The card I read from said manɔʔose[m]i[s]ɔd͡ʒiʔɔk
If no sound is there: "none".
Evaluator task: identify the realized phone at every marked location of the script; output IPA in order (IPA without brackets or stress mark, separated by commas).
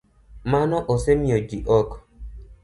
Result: m, none